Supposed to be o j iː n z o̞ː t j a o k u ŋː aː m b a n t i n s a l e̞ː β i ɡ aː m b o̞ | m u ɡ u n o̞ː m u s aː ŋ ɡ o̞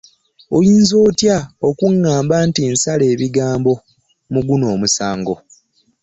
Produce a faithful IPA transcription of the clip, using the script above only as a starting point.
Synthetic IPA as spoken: o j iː n z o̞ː t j a o k u ŋː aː m b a n t i n s a l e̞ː β i ɡ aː m b o̞ | m u ɡ u n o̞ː m u s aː ŋ ɡ o̞

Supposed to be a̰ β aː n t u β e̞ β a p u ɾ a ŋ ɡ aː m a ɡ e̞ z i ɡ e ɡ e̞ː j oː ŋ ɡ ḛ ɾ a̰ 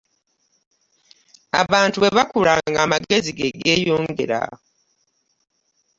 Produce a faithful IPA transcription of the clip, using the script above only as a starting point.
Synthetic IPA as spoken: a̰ β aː n t u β e̞ β a k u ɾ a ŋ ɡ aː m a ɡ e̞ z i ɡ e ɡ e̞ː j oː ŋ ɡ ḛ ɾ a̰

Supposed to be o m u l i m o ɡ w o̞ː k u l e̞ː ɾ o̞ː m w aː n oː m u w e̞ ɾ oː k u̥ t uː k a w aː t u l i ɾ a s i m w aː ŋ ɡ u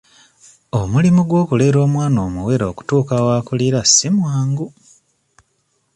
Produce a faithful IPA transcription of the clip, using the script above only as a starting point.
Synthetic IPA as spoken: o m u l i m u ɡ w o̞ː k u l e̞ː ɾ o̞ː m w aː n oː m u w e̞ ɾ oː k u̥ t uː k a w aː k u l i ɾ a s i m w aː ŋ ɡ u

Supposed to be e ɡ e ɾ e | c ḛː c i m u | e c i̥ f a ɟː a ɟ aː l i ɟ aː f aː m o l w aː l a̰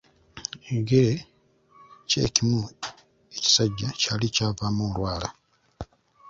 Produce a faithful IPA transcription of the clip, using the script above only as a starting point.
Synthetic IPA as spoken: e ɡ e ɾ e | c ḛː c i m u | e c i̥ s a ɟː a c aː l i c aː v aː m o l w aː l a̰

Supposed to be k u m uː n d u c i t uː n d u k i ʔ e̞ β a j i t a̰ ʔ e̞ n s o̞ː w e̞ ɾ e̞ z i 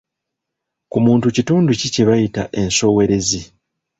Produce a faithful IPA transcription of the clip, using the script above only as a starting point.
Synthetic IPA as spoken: k u m uː n t u c i t uː n d u c i c e̞ β a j i t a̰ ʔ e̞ n s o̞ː w e̞ ɾ e̞ z i

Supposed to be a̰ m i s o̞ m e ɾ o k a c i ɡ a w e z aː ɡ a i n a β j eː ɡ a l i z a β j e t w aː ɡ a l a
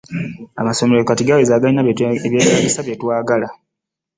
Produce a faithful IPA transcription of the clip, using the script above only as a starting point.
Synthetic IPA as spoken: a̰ m a s o̞ m e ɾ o k a t i ɡ a w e z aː ɡ a i n a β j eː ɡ a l i s a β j e t w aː ɡ a l a

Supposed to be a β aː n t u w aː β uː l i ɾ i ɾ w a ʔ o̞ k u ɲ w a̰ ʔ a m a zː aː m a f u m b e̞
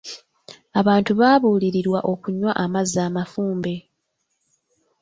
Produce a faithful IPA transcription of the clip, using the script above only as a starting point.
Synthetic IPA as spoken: a β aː n t u β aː β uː l i ɾ i ɾ w a ʔ o̞ k u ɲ w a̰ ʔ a m a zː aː m a f uː m b e̞

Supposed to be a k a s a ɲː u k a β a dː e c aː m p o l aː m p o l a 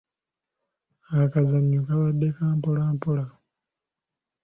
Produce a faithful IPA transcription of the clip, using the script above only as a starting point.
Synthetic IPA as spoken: a k a z a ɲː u k a β a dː e k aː m p o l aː m p o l a

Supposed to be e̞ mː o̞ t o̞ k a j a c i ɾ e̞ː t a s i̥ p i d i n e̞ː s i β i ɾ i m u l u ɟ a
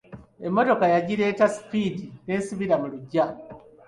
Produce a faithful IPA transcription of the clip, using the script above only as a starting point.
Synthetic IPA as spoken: e̞ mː o̞ t o̞ k a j a ɟ i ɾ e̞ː t a s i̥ p i d i n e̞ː s i β i ɾ a m u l u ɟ a

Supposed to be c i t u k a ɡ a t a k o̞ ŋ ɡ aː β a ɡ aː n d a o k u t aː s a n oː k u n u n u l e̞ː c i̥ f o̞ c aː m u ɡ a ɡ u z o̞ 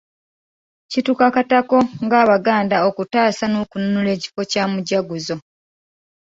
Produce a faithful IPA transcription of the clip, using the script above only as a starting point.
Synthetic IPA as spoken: c i t u k a k a t a k o̞ ŋ ɡ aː β a ɡ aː n d a o k u t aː s a n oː k u n u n u l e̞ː c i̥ f o̞ c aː m u ɟ a ɡ u z o̞

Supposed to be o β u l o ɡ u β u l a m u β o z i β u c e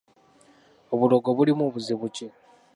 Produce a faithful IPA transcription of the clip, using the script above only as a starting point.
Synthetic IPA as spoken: o β u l o ɡ o β u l i m u β u z i β u c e

